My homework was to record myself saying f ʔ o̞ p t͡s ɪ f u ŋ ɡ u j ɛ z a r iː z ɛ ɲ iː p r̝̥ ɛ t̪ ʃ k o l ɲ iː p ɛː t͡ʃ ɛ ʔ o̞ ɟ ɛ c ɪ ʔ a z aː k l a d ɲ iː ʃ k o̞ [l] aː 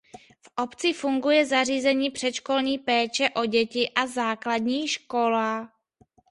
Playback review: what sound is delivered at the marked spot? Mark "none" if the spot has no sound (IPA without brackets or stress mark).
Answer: l